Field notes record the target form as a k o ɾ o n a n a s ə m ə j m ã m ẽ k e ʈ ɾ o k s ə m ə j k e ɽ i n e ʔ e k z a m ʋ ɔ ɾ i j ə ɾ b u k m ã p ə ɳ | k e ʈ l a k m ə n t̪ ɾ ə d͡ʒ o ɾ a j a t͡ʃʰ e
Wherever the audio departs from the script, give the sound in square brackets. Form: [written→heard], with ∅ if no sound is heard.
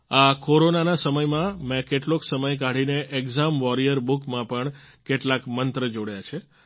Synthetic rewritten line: a k o ɾ o n a n a s ə m ə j m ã m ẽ k e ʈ [ɾ→l] o k s ə m ə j k [e→a] ɽ i n e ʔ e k z a m ʋ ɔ ɾ i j ə ɾ b u k m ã p ə ɳ | k e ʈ l a k m ə n t̪ ɾ ə d͡ʒ o [ɾ→ɽ] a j a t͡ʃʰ e